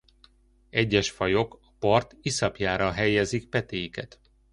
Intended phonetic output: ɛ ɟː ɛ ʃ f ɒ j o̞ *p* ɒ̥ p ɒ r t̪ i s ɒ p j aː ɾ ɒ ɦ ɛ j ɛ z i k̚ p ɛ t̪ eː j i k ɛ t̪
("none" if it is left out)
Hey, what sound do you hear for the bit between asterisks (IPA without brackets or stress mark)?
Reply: k